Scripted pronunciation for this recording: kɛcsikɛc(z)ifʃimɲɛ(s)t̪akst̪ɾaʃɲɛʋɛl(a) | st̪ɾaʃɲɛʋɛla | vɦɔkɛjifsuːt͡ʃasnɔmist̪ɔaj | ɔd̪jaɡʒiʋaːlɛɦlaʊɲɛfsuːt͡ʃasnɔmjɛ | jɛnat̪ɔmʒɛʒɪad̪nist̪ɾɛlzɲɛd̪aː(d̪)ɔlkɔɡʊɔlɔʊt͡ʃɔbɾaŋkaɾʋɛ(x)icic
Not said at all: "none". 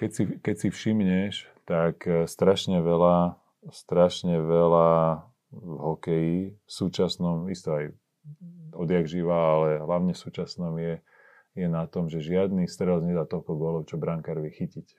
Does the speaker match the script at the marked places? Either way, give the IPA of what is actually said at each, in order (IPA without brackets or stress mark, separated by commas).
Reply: s, ʃ, a, t̪, x